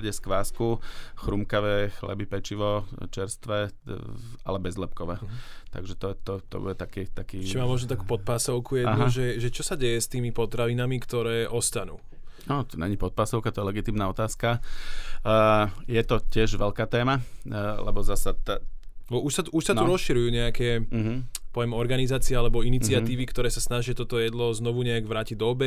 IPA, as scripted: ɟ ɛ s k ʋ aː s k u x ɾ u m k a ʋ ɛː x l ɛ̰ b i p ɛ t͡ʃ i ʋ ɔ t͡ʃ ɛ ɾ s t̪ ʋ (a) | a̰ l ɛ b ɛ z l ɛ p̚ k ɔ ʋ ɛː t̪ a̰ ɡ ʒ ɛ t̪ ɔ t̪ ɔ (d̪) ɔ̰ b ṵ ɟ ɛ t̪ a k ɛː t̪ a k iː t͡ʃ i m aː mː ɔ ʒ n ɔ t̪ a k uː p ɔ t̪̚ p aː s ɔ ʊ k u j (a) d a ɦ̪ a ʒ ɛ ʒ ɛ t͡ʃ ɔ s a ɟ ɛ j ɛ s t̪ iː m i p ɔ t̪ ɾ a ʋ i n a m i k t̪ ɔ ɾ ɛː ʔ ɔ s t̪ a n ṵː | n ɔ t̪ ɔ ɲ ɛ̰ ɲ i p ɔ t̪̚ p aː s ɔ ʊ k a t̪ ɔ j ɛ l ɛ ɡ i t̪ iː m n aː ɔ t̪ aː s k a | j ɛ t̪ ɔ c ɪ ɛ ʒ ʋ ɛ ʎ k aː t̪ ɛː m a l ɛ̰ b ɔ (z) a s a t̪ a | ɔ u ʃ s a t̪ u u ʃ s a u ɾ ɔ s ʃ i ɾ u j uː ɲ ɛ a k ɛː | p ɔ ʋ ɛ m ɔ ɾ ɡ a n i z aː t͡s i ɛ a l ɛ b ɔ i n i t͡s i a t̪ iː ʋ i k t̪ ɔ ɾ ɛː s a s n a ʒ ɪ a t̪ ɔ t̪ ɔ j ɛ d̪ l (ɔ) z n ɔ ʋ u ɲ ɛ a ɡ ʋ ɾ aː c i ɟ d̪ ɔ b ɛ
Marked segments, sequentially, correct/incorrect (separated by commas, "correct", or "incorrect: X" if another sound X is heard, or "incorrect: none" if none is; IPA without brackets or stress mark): incorrect: ɛ, incorrect: t̪, incorrect: ɛ, correct, correct